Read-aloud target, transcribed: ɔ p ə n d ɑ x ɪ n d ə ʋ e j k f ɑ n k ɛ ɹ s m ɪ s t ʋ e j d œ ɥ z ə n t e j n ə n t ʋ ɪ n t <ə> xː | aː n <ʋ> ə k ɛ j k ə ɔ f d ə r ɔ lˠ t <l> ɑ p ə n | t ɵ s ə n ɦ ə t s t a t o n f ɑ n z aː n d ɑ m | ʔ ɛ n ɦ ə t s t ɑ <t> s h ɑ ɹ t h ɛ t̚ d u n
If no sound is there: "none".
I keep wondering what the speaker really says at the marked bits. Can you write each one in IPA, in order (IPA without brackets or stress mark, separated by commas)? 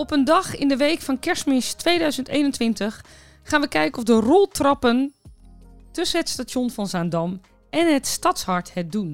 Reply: ə, ʋ, r, t